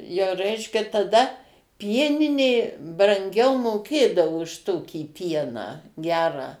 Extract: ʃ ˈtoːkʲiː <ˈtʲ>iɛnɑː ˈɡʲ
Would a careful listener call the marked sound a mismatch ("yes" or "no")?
yes